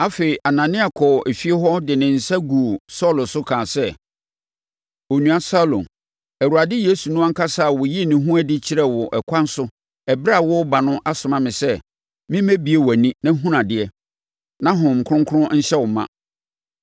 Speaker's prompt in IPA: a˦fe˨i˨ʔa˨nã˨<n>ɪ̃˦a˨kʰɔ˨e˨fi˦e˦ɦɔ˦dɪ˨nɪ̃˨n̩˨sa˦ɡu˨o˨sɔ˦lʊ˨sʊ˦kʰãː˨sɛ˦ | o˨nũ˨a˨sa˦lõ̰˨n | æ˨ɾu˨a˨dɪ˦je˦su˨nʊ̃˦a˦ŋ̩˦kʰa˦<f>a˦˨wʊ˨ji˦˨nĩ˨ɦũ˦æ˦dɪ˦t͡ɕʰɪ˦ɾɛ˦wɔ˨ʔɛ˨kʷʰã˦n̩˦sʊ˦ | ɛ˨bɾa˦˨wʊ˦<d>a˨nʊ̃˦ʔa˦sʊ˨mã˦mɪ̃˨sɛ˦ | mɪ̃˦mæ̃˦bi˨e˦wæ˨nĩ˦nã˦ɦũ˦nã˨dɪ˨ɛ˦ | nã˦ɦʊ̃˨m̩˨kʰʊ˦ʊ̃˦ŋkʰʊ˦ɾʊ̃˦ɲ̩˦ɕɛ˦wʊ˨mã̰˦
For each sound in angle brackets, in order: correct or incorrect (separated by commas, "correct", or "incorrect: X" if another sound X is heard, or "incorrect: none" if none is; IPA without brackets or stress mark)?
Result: correct, incorrect: s, incorrect: b